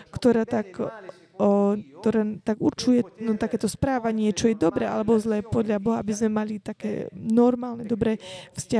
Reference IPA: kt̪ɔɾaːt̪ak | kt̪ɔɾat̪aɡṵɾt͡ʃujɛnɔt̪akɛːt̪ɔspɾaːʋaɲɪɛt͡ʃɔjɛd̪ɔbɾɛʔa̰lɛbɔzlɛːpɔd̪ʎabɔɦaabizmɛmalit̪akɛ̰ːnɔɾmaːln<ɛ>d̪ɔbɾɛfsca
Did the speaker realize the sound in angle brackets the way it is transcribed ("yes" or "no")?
yes